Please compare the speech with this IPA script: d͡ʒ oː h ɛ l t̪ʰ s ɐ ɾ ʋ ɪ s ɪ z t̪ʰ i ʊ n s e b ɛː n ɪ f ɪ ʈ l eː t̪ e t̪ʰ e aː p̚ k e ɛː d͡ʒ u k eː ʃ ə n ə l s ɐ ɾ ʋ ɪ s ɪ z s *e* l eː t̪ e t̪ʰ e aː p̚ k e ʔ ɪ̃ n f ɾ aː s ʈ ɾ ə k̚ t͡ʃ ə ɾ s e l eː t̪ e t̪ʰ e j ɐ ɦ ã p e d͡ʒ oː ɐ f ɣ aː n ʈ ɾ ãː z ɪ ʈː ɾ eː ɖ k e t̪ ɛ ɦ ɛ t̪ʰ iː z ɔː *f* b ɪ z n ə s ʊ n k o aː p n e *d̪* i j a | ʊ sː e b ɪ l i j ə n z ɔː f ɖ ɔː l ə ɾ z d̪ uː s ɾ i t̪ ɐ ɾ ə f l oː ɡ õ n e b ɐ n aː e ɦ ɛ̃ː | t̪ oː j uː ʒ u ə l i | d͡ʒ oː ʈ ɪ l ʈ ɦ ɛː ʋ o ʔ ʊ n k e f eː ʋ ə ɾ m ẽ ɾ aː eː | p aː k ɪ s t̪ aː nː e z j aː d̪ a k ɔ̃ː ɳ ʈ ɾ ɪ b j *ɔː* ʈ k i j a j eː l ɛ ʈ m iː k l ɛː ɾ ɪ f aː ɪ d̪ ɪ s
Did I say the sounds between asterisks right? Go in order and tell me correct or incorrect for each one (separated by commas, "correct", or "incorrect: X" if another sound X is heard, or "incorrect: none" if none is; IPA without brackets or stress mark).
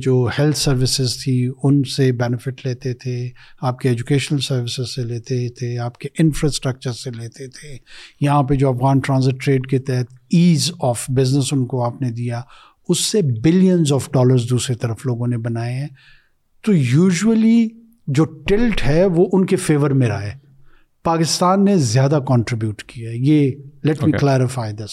correct, correct, correct, incorrect: uː